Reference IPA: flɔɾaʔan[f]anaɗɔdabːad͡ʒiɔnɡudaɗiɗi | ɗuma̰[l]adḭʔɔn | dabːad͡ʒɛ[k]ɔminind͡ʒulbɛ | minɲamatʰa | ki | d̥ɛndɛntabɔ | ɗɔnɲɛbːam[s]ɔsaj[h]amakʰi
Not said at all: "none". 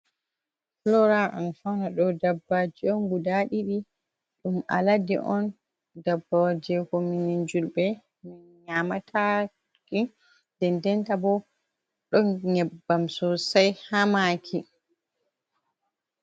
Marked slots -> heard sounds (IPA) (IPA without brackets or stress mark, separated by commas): f, l, k, s, h